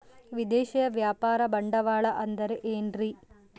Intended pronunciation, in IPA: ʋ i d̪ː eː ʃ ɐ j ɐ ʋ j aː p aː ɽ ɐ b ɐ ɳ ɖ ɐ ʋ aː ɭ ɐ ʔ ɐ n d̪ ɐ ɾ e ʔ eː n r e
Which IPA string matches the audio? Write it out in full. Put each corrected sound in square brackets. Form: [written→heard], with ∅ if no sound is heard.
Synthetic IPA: ʋ i [d̪ː→d̪] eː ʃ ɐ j ɐ ʋ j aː p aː [ɽ→ɾ] ɐ b ɐ ɳ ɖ ɐ ʋ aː ɭ ɐ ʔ ɐ n d̪ ɐ ɾ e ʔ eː n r [e→i]